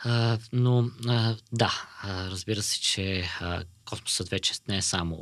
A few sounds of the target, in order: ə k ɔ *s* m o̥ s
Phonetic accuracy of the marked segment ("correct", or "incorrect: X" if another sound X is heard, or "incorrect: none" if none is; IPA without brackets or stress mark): correct